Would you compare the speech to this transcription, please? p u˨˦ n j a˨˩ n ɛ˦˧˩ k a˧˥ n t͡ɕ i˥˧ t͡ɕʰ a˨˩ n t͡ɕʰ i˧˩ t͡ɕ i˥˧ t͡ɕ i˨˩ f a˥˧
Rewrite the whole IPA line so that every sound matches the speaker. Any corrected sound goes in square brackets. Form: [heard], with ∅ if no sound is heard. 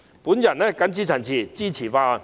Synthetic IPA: p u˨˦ n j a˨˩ n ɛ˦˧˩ k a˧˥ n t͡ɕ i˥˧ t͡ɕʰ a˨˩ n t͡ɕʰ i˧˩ t͡ɕ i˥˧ [t͡ɕʰ] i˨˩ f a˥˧